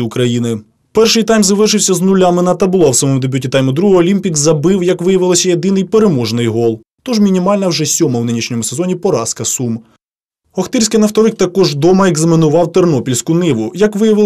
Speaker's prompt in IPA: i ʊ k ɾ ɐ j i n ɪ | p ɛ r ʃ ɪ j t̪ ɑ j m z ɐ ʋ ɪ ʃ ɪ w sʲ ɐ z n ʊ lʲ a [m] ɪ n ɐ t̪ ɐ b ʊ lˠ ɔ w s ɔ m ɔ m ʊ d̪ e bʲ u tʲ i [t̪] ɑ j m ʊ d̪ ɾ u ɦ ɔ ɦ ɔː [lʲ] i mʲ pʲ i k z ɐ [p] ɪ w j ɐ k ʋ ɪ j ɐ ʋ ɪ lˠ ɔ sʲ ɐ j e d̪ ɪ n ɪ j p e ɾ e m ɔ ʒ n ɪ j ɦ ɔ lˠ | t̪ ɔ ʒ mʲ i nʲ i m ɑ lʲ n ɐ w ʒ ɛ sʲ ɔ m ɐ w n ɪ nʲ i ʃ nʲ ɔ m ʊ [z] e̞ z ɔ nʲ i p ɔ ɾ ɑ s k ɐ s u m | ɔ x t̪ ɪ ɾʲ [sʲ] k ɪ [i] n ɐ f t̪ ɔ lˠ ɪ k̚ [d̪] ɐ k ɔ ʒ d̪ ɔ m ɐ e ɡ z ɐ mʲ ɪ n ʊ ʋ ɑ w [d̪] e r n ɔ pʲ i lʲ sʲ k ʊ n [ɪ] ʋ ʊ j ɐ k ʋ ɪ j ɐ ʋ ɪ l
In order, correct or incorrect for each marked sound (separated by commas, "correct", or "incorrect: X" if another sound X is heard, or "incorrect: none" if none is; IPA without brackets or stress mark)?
correct, correct, correct, incorrect: b, incorrect: s, correct, incorrect: j, incorrect: t̪, incorrect: t̪, correct